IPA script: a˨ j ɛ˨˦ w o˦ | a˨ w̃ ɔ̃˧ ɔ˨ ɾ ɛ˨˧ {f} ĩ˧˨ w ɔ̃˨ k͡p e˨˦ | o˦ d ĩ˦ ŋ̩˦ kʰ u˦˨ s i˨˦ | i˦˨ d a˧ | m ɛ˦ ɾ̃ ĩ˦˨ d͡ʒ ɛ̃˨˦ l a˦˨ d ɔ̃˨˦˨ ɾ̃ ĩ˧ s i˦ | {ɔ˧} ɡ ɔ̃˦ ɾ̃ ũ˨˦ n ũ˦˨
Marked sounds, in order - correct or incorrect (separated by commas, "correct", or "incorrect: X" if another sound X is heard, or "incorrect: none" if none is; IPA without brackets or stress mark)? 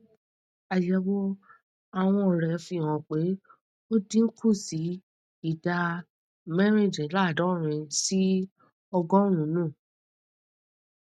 correct, correct